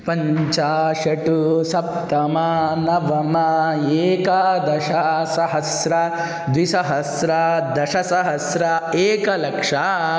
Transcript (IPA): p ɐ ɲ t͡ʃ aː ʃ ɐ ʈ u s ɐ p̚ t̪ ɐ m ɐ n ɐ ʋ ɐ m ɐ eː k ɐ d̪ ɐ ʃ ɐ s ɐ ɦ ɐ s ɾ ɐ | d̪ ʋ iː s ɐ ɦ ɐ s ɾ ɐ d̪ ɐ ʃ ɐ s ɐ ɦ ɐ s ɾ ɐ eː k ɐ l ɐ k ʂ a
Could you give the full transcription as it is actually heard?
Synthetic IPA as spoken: p ɐ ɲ t͡ʃ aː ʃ ɐ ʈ u s ɐ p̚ t̪ ɐ m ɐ n ɐ ʋ ɐ m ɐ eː k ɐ d̪ ɐ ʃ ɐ s ɐ ɦ ɐ s ɾ ɐ | d̪ ʋ i s ɐ ɦ ɐ s ɾ ɐ d̪ ɐ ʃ ɐ s ɐ ɦ ɐ s ɾ ɐ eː k ɐ l ɐ k ʂ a